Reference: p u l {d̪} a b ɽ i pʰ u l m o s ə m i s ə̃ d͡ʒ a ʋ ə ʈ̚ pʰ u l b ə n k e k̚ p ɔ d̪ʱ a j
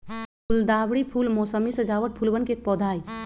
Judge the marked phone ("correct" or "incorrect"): correct